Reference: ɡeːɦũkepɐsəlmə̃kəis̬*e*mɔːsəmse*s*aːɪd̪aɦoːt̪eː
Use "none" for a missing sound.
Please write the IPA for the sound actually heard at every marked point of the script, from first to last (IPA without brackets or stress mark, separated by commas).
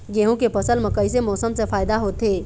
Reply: e, f